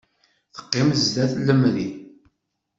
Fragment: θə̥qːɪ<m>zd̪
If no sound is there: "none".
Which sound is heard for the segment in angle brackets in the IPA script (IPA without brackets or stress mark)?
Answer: m